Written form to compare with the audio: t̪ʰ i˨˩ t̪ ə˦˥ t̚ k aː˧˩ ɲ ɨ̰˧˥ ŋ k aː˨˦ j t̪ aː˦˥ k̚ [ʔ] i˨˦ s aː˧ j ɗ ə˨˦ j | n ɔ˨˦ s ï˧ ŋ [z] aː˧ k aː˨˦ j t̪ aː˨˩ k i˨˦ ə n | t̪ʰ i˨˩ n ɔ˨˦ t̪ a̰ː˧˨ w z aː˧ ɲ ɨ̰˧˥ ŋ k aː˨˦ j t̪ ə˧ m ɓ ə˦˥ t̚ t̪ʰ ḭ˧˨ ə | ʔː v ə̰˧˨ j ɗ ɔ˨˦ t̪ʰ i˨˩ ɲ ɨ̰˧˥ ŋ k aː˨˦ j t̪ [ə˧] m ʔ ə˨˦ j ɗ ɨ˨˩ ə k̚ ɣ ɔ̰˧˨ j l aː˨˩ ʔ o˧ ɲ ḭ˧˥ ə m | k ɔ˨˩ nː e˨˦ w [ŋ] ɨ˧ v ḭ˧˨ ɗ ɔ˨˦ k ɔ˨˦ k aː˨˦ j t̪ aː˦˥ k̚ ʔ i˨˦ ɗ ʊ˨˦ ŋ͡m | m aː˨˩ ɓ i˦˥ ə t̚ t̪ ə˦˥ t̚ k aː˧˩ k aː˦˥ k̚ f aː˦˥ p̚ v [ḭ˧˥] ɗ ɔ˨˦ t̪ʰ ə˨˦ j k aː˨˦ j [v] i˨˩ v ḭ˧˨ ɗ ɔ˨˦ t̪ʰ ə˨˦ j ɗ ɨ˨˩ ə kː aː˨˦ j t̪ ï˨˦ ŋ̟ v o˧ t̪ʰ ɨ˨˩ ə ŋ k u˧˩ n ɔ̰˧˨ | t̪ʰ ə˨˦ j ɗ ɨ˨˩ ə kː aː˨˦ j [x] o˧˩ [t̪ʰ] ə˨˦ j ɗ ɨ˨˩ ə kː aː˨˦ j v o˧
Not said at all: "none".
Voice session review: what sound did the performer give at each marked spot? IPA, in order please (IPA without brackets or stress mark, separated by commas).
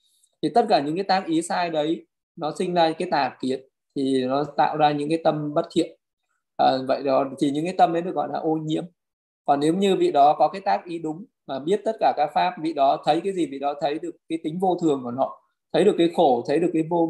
ʔ, z, ə˧, ɲ, ḭ˧˨, z, x, t̪ʰ